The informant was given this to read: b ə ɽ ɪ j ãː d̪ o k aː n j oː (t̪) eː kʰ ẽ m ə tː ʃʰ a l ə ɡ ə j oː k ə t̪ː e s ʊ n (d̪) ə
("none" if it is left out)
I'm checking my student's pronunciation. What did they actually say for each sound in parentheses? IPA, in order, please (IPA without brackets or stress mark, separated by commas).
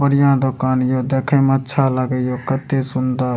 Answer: d̪, d̪